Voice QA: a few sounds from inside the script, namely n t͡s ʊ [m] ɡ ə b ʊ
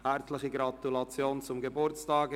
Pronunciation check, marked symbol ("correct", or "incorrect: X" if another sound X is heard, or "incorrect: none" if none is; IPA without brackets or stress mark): correct